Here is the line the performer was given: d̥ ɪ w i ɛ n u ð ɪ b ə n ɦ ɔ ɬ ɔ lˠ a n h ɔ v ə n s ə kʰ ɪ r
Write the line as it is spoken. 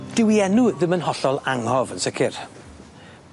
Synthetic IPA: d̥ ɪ w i ɛ n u ð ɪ m ə n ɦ ɔ ɬ ɔ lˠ a ŋ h ɔ v ə n s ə kʰ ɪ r